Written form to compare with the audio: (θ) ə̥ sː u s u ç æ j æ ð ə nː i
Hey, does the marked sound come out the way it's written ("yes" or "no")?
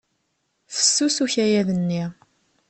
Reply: yes